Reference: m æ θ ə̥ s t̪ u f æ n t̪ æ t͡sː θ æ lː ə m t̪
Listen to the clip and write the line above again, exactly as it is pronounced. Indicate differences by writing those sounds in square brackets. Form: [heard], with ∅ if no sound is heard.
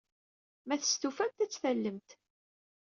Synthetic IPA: m æ θ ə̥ s t̪ u f æ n t̪ æ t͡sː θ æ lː ə m t̪